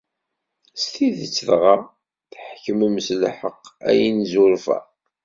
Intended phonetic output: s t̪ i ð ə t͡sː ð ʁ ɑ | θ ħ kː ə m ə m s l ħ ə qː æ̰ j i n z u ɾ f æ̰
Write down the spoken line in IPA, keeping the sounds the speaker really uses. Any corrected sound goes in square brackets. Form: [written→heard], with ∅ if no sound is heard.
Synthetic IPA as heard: s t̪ i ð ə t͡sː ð ʁ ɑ | θ ħ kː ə m ə m s l ħ ə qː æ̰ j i n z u ɾ f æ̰